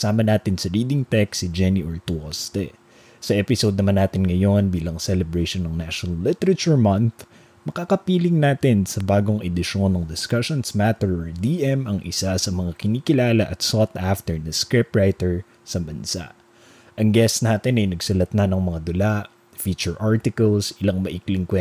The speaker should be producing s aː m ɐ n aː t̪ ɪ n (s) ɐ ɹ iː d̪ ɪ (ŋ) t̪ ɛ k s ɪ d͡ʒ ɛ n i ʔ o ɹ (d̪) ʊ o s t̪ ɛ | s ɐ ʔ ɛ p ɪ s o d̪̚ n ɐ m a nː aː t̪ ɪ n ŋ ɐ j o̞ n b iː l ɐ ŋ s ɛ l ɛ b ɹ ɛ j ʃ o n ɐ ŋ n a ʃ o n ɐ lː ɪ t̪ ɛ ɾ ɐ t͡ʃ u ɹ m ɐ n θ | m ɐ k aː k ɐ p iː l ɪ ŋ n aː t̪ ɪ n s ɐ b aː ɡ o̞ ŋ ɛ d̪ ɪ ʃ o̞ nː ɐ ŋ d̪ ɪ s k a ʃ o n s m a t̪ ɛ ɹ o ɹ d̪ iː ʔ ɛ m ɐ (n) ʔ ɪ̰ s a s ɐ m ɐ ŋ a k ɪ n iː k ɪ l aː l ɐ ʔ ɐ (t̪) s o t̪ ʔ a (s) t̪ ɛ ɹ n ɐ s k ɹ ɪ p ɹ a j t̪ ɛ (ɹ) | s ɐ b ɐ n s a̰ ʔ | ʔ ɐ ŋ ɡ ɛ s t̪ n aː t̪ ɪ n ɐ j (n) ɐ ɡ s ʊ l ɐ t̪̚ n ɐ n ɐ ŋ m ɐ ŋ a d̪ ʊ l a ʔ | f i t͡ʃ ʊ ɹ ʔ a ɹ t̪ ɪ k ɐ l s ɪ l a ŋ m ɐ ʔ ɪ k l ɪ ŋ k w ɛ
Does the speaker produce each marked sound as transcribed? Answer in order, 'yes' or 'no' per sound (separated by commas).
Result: yes, yes, no, no, yes, no, yes, yes